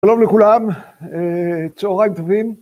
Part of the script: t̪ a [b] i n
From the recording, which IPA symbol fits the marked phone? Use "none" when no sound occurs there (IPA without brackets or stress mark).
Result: v